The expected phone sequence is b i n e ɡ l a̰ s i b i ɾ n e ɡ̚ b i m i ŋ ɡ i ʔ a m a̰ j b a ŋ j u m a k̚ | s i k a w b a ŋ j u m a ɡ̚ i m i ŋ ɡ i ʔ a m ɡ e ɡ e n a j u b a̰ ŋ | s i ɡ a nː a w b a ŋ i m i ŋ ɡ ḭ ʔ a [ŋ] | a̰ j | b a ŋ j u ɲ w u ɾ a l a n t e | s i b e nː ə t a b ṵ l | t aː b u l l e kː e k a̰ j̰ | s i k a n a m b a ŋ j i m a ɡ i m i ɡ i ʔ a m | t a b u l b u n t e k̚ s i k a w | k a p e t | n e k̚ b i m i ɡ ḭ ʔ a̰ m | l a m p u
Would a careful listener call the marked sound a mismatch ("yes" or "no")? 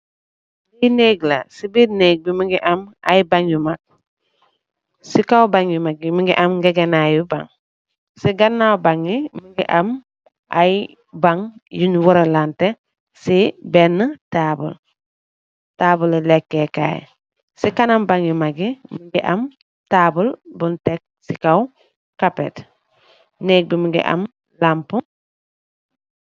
yes